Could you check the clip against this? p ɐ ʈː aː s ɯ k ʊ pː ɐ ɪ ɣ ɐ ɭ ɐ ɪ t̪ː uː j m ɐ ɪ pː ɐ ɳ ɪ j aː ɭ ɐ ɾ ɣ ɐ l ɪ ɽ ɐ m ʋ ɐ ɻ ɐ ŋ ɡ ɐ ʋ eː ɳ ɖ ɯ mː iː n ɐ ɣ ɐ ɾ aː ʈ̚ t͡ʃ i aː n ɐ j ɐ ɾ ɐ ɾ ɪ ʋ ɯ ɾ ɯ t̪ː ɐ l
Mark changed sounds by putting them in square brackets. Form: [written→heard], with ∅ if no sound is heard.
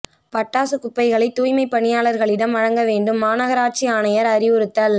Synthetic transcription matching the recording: p ɐ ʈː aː s ɯ k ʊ pː ɐ ɪ ɣ ɐ ɭ ɐ ɪ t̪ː uː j m ɐ ɪ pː ɐ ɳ ɪ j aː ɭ ɐ ɾ ɣ ɐ [l→ɭ] ɪ ɽ ɐ m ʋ ɐ ɻ ɐ ŋ ɡ ɐ ʋ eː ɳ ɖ ɯ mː [iː→aː] n ɐ ɣ ɐ ɾ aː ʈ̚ t͡ʃ i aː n ɐ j ɐ ɾ ɐ ɾ ɪ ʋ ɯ ɾ ɯ t̪ː ɐ l